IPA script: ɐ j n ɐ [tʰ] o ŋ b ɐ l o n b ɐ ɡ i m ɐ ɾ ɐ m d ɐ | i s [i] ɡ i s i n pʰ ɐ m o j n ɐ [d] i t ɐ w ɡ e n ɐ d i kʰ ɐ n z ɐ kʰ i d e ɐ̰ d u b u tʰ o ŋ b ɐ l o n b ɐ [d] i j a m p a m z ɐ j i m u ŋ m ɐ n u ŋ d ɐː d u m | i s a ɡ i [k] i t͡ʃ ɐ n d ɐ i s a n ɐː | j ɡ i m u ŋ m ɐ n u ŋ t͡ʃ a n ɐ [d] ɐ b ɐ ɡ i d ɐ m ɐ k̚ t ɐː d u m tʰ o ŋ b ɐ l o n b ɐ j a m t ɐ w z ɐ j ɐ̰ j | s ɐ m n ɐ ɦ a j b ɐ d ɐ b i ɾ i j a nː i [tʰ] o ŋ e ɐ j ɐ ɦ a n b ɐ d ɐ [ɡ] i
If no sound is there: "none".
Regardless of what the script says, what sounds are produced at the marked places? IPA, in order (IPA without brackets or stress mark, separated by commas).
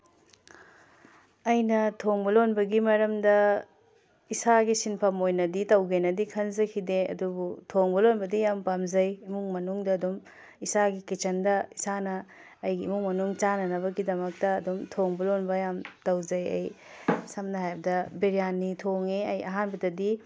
tʰ, a, d, d, k, n, tʰ, d